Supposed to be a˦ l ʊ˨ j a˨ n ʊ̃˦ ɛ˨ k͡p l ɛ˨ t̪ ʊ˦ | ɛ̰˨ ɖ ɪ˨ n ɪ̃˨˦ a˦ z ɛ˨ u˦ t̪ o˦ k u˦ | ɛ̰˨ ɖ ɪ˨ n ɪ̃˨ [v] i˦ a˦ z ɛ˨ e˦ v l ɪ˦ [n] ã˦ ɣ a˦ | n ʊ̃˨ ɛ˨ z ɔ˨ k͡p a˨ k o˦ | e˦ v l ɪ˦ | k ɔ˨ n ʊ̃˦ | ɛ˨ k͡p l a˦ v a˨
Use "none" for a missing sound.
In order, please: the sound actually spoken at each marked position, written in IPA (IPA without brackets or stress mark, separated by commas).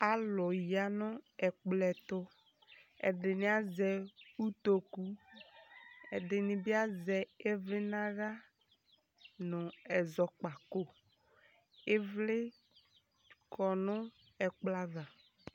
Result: b, n